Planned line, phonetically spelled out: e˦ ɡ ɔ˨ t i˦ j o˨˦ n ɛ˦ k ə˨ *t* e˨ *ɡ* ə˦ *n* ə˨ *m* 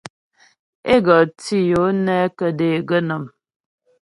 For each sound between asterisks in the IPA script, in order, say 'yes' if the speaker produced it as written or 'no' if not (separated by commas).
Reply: no, yes, yes, yes